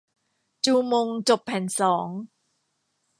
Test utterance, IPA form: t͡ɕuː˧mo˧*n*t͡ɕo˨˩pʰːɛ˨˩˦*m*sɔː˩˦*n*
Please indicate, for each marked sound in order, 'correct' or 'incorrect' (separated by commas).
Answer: incorrect, incorrect, incorrect